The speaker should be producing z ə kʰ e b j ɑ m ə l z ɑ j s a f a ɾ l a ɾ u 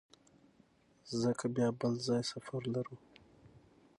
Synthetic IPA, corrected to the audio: z ə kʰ a b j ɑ b ə l z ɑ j s a f a ɾ l a ɾ u